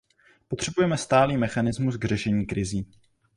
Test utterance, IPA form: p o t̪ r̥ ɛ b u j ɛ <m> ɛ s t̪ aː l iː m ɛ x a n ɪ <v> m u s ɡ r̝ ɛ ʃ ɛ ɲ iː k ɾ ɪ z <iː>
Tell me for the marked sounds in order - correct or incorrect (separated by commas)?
correct, incorrect, correct